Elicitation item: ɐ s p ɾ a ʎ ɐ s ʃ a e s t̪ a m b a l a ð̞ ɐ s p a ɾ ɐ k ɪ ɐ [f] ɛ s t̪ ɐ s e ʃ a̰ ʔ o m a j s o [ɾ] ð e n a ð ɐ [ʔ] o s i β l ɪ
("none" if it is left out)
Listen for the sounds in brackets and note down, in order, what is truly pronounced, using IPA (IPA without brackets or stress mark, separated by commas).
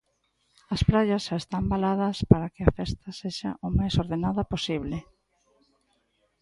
f, ɾ, p